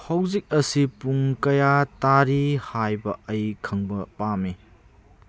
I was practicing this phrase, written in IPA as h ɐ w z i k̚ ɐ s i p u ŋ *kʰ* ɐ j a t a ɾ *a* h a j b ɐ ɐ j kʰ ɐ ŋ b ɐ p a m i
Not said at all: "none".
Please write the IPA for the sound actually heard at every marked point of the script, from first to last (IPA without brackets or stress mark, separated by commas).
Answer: k, i